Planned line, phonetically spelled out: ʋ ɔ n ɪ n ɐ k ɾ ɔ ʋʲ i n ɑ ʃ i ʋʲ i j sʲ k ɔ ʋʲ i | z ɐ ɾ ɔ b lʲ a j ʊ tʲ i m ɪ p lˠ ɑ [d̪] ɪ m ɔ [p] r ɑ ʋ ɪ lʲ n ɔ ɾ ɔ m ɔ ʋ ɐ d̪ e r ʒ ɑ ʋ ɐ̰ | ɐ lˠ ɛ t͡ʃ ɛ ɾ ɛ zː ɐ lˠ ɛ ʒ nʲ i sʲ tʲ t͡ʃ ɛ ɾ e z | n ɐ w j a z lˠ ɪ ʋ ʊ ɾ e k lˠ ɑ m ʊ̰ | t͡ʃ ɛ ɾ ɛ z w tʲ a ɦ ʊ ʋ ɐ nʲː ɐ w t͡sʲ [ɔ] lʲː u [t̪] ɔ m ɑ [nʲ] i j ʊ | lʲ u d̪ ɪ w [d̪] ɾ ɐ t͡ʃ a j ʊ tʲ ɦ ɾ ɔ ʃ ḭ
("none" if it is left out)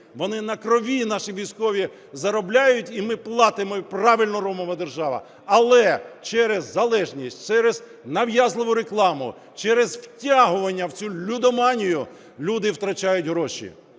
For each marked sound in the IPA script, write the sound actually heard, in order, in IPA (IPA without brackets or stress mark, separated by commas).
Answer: t̪, p, u, d̪, nʲ, t̪